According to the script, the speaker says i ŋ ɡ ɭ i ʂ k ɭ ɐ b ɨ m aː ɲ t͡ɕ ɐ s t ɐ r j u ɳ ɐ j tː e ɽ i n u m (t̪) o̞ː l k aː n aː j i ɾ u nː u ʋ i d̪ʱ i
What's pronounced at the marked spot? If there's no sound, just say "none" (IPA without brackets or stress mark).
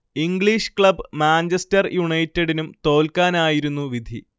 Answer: t̪